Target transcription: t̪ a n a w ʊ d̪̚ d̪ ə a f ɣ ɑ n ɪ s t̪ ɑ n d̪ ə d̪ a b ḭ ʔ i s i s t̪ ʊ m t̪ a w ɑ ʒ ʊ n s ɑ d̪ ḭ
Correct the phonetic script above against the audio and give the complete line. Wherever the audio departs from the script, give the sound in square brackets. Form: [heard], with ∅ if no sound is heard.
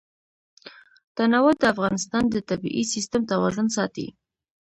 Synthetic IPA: t̪ a n a w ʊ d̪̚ d̪ ə a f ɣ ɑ n ɪ s t̪ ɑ n d̪ ə [t̪] a b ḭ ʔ i s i s t̪ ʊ m t̪ a w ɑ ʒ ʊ n s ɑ [t̪] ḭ

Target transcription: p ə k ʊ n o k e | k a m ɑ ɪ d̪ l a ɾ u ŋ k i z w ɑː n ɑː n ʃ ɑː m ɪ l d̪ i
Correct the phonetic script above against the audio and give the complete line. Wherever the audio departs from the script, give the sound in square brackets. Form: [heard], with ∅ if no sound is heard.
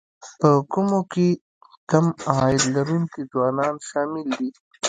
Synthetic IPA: p ə k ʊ [m] o k e | k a m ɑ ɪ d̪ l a ɾ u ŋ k i z w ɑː n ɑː n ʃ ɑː m ɪ l d̪ i

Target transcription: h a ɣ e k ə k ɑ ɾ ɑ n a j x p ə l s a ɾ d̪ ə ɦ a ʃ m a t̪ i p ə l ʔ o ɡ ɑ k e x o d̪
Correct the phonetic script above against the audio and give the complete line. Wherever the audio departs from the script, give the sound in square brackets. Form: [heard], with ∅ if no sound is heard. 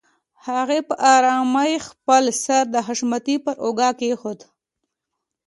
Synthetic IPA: h a ɣ e [p] ə [ʔ] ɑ ɾ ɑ [m] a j x p ə l s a ɾ d̪ ə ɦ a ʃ m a t̪ i p ə [ɾ] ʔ o ɡ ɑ k e x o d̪

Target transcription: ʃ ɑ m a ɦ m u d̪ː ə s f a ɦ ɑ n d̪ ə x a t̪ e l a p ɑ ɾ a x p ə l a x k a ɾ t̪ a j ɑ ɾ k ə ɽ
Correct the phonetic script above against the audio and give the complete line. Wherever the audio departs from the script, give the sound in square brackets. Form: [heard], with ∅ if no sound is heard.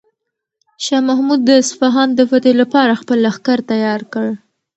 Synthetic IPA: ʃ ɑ m a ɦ m u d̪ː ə s f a ɦ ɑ n d̪ ə [f] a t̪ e l a p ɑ ɾ a x p ə l a x k a ɾ t̪ a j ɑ ɾ k ə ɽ

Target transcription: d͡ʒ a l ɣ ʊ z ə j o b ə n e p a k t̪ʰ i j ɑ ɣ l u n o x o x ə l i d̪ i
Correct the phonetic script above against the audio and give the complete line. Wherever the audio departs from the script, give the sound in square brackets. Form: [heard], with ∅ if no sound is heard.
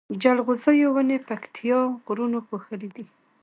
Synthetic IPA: d͡ʒ a l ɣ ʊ z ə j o [w] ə n e p a k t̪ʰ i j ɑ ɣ [ɾ] u n o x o x ə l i d̪ i

